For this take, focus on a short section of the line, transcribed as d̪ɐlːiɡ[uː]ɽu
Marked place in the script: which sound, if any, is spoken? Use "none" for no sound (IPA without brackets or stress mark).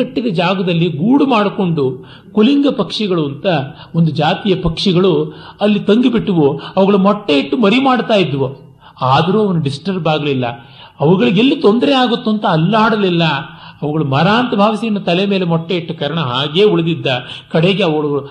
uː